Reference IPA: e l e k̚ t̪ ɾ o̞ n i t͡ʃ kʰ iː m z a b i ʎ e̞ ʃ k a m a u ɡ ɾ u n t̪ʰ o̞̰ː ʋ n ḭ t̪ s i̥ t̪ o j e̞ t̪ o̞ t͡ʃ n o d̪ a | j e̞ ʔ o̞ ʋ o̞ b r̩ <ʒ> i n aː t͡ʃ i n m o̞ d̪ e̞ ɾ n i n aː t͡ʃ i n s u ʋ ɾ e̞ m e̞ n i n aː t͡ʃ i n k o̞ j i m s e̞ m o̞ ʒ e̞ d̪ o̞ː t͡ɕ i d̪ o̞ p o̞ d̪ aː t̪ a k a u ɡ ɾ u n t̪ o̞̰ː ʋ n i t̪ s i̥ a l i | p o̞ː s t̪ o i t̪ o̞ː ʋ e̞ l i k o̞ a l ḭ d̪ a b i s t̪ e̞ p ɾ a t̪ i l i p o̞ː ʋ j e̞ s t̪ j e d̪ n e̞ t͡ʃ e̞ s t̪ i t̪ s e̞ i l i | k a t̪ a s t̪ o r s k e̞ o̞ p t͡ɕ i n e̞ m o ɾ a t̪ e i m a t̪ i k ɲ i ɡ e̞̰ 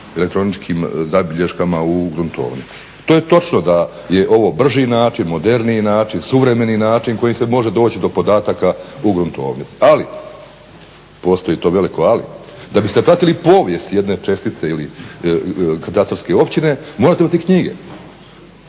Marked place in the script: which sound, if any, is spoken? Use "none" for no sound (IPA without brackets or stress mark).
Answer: ʒ